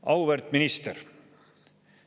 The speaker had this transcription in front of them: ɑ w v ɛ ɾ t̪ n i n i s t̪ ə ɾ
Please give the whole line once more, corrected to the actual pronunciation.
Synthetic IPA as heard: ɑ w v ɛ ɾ t̪ m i n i s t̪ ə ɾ